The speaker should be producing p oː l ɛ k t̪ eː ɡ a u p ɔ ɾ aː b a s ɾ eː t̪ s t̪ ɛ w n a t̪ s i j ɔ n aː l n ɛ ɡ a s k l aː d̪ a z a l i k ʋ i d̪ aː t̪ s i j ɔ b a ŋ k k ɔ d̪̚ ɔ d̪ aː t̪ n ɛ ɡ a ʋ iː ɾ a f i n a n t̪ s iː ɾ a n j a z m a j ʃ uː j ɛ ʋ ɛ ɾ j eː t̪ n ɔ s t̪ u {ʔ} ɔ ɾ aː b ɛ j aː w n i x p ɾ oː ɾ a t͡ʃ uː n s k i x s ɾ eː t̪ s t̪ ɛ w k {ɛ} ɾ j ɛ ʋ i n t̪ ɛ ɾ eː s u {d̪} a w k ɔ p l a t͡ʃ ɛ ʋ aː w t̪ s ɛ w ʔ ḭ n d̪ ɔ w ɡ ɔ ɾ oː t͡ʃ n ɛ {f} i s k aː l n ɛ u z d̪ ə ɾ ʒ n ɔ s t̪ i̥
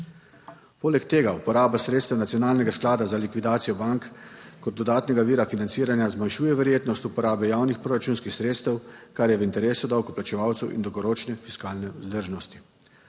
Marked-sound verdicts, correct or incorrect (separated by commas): incorrect, incorrect, correct, correct